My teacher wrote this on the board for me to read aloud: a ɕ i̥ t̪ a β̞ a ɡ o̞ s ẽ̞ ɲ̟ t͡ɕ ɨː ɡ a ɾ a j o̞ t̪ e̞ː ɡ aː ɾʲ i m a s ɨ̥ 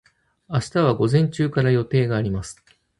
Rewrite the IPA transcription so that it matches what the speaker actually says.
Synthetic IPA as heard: a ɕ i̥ t̪ a β̞ a ɡ o̞ z ẽ̞ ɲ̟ t͡ɕ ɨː k a ɾ a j o̞ t̪ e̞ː ɡ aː ɾʲ i m a s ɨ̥